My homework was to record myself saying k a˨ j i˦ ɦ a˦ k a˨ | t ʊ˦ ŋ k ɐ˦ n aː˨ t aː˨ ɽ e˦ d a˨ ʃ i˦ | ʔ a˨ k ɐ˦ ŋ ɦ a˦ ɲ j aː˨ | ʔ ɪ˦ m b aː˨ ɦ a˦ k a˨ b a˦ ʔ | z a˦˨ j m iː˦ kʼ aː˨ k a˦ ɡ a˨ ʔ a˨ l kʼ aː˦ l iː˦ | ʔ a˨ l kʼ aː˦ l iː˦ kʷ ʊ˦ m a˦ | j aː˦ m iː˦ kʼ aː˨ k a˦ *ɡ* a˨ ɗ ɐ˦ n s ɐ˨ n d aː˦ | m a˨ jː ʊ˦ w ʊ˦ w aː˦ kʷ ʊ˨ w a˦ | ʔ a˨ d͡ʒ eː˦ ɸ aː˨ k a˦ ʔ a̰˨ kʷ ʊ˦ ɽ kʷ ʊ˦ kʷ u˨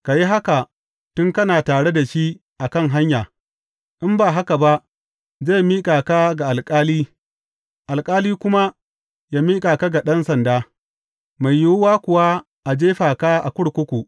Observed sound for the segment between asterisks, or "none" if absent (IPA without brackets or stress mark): ɡ